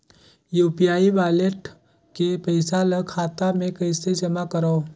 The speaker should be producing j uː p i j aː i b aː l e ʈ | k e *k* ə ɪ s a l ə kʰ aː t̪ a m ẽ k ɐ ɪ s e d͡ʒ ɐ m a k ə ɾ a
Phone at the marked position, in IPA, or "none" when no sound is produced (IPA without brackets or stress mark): p